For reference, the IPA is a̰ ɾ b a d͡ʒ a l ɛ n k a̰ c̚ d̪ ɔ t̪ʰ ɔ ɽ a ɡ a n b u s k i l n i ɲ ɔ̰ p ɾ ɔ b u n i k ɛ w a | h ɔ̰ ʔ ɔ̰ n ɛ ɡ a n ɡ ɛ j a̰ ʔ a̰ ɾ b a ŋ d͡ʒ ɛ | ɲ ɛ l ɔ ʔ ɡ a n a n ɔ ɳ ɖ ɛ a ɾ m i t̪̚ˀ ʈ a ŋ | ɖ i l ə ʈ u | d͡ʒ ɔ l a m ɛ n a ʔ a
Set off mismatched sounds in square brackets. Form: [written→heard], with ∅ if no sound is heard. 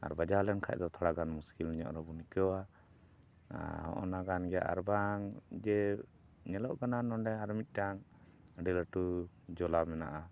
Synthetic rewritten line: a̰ ɾ b a d͡ʒ a l ɛ n [k→kʰ] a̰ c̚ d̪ ɔ t̪ʰ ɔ ɽ a ɡ a n [b→m] u s k i l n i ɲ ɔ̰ [p→ʔ] ɾ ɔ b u n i k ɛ w a | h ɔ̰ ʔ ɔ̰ n [ɛ→a] ɡ a n ɡ ɛ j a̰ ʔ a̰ ɾ b a ŋ d͡ʒ ɛ | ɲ ɛ l ɔ ʔ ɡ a n a n ɔ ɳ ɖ ɛ a ɾ m i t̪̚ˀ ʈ a ŋ | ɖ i l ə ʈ u | d͡ʒ ɔ l a m ɛ n a ʔ a